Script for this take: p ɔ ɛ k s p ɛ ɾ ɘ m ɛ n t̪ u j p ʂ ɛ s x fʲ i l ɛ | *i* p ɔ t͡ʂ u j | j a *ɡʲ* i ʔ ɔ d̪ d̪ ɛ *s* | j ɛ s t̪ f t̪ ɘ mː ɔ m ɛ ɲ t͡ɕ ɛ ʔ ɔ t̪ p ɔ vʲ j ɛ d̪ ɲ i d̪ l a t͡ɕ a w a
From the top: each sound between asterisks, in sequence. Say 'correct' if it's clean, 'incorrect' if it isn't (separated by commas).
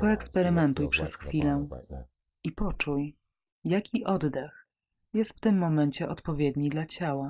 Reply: correct, incorrect, incorrect